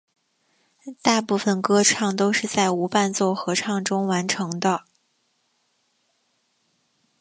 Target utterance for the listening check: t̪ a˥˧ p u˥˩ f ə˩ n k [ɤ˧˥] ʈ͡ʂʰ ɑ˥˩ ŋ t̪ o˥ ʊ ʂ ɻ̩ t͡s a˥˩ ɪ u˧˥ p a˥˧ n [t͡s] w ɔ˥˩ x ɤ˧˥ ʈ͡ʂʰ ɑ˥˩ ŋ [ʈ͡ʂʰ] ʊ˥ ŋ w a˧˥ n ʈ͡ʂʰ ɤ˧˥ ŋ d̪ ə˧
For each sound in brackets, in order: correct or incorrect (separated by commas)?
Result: incorrect, correct, incorrect